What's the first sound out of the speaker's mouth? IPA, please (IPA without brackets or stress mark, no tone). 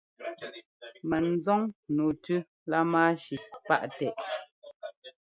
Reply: m